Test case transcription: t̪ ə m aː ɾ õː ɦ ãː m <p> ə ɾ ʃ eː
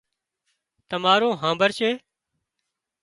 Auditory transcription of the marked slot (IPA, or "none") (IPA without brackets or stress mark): b